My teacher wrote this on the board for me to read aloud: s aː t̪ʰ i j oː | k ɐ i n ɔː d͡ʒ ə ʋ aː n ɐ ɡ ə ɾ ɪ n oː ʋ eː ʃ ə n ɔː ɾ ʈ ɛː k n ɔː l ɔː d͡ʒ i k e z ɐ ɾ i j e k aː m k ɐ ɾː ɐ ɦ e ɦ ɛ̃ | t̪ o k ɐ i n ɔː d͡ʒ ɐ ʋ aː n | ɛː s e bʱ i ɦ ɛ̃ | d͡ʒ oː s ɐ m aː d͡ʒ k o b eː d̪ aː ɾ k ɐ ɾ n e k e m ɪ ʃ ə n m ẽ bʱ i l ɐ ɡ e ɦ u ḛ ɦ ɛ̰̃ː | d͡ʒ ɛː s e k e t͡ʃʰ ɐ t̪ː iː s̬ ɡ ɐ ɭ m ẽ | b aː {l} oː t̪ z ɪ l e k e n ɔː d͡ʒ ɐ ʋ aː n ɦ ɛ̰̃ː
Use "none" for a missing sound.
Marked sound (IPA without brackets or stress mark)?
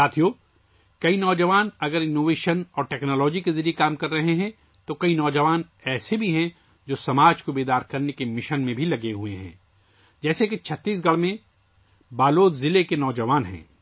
l